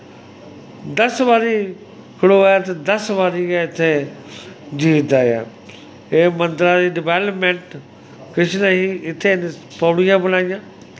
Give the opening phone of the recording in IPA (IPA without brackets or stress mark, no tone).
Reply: d̪